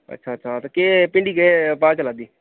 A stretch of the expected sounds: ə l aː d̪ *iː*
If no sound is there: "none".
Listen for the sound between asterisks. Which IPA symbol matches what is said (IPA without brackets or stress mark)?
iː